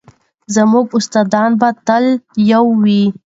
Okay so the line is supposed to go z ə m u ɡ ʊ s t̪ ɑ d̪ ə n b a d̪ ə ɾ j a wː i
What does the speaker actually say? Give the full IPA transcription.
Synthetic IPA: z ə m u ɡ ʊ s t̪ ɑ d̪ ɑ n b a t̪ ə l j a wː i